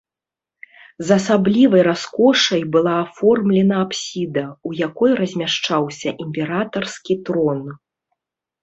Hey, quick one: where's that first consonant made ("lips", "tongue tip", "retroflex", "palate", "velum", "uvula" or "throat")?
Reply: tongue tip